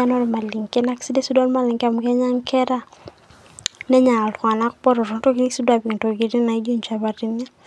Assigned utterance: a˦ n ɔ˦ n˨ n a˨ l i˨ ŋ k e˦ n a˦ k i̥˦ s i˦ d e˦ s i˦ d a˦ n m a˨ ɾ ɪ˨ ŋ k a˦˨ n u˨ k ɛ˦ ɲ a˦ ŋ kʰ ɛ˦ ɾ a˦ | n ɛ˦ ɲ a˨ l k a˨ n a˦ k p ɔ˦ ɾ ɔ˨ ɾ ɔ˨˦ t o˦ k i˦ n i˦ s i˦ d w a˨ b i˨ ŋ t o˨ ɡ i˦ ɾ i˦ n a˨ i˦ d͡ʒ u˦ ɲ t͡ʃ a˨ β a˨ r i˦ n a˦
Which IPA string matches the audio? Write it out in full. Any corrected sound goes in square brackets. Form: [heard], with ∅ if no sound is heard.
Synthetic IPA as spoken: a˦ n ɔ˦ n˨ [m] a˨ l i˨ ŋ k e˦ n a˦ k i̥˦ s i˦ d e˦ s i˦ d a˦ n m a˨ [l] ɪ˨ ŋ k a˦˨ [m] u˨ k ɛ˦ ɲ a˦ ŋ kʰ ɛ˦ ɾ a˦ | n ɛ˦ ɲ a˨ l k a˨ n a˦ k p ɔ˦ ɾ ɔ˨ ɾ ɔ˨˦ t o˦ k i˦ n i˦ s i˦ d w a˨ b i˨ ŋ t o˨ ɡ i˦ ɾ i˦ n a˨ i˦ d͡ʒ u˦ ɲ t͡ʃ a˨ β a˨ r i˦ n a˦